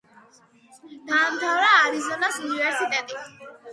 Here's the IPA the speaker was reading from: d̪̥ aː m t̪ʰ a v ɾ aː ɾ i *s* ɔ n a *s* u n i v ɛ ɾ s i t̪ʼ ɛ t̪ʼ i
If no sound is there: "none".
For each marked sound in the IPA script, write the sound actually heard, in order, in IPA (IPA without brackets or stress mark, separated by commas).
z, s